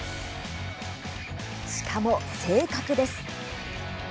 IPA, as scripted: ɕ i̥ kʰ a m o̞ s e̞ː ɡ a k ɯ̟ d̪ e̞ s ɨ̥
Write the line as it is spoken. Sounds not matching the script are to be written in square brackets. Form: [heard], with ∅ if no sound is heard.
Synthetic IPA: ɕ i̥ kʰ a m o̞ s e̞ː [k] a k ɯ̟ d̪ e̞ s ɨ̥